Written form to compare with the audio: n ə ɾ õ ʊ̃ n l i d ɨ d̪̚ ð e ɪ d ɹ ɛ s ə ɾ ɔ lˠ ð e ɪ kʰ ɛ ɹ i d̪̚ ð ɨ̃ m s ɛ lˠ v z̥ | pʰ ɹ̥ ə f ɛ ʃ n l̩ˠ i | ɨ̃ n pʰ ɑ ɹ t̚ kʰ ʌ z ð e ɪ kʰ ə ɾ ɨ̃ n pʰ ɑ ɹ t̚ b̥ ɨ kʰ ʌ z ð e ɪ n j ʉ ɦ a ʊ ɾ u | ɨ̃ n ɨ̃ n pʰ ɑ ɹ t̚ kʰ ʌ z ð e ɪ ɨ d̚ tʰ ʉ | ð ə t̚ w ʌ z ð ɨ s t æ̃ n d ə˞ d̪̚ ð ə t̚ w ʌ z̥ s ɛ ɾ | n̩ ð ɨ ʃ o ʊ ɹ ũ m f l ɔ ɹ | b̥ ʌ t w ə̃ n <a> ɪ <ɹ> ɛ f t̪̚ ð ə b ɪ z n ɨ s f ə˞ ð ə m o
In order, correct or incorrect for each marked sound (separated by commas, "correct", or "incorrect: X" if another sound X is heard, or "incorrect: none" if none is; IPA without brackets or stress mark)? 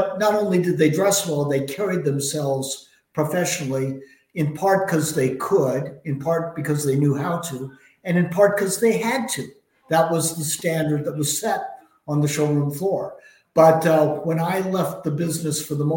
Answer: correct, incorrect: l